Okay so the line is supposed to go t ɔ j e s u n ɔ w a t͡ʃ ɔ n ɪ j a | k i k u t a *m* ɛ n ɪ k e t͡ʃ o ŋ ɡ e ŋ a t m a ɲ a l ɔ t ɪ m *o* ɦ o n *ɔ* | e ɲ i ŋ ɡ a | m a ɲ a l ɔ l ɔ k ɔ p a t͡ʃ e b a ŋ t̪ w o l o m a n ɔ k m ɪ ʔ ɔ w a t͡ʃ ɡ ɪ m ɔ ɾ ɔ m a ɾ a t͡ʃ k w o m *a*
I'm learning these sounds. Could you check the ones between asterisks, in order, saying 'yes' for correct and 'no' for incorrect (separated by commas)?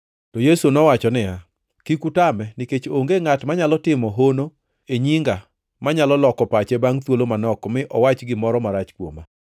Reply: yes, no, no, yes